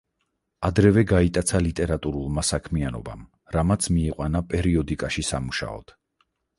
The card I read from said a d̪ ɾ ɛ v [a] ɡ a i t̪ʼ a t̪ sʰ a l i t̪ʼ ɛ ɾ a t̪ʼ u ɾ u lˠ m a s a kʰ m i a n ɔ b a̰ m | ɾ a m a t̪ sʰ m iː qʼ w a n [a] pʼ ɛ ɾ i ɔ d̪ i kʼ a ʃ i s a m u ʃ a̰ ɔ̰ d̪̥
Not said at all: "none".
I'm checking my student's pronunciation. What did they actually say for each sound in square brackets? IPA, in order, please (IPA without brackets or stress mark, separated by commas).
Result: ɛ, a